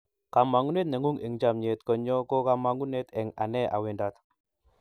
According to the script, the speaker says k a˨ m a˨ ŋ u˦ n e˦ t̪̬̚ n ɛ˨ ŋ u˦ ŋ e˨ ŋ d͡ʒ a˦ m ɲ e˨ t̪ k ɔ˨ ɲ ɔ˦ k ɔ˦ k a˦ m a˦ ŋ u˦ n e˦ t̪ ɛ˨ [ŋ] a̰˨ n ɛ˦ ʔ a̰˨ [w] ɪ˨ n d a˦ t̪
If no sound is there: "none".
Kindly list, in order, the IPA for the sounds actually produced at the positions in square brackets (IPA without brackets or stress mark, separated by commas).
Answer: ŋ, w